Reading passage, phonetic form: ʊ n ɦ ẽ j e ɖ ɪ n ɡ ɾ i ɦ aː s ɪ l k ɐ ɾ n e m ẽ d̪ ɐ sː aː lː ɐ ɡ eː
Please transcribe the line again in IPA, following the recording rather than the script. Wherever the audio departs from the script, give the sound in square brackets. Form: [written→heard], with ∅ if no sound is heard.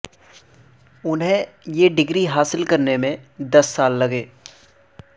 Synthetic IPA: ʊ n ɦ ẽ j e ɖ ɪ [n→∅] ɡ ɾ i ɦ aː s ɪ l k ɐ ɾ n e m ẽ d̪ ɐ sː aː lː ɐ ɡ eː